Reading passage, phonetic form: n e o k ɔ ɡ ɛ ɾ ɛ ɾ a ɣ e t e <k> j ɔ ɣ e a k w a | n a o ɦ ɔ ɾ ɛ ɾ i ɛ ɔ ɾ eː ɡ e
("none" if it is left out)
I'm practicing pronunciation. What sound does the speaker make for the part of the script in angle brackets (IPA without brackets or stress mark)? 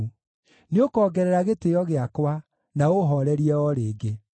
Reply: none